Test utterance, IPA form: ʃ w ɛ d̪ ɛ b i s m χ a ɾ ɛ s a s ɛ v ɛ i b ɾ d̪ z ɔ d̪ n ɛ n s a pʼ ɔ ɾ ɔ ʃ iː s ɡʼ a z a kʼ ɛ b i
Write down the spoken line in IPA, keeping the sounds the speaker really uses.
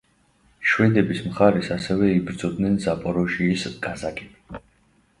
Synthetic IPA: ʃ w ɛ d̪ ɛ b i s m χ a ɾ ɛ s a s ɛ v ɛ i b ɾ d̪ z ɔ d̪ n ɛ n z a pʼ ɔ ɾ ɔ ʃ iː s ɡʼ a z a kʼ ɛ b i